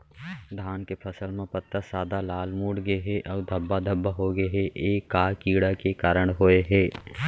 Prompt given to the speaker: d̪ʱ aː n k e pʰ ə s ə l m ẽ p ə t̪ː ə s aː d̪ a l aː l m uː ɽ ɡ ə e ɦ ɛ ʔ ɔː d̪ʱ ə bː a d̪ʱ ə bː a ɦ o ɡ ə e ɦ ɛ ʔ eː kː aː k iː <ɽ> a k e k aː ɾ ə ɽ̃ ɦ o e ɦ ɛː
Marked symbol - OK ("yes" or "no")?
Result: yes